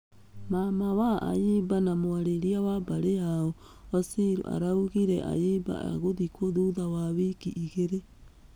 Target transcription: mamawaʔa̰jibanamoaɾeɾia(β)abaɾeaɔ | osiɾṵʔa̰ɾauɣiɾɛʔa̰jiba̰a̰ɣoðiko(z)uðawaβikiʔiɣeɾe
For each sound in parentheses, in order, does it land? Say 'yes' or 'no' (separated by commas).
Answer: no, no